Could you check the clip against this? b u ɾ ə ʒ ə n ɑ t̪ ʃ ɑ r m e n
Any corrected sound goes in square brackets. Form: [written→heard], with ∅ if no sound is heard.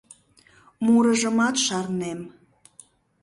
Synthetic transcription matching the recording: [b→m] u ɾ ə ʒ ə [n→m] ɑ t̪ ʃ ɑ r [m→n] e [n→m]